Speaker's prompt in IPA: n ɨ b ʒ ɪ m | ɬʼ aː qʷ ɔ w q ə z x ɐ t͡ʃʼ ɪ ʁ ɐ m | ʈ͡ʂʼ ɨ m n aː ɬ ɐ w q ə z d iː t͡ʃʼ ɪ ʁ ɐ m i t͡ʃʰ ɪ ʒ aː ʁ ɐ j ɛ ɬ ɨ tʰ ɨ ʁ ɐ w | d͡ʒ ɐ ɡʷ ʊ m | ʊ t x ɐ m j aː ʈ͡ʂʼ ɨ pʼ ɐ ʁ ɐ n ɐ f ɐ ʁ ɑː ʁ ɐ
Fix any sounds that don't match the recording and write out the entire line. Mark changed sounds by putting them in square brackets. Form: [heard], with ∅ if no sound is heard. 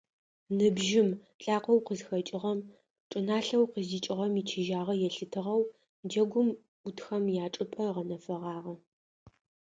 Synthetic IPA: n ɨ b ʒ ɪ m | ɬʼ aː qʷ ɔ w q ə z x ɐ t͡ʃʼ ɪ ʁ ɐ m | ʈ͡ʂʼ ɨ [∅] n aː ɬ ɐ w q ə z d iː t͡ʃʼ ɪ ʁ ɐ m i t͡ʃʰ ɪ ʒ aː ʁ ɐ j ɛ ɬ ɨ tʰ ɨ ʁ ɐ w | d͡ʒ ɐ ɡʷ ʊ m | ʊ t x ɐ m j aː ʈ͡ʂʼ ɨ pʼ ɐ ʁ ɐ n ɐ f ɐ ʁ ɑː ʁ ɐ

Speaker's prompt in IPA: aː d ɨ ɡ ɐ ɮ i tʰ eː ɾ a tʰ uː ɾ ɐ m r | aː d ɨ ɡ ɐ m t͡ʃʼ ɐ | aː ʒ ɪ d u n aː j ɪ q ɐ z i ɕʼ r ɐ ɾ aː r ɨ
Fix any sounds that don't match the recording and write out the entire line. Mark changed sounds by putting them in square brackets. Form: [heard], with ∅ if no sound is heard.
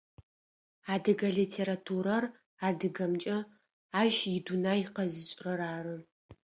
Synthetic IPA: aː d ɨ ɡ ɐ ɮ i tʰ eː ɾ a tʰ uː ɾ ɐ [∅] r | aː d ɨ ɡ ɐ m t͡ʃʼ ɐ | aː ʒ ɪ d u n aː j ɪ q ɐ z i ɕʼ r ɐ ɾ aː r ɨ

